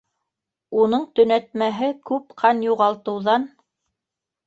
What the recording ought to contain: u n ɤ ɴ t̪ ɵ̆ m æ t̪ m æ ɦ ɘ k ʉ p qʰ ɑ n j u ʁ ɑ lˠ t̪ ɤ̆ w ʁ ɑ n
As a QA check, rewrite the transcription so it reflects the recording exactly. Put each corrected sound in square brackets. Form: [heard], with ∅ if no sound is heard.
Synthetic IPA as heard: u n ɤ ɴ t̪ ɵ̆ [n] æ t̪ m æ ɦ ɘ k ʉ p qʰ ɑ n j u ʁ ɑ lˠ t̪ ɤ̆ w [ð] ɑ n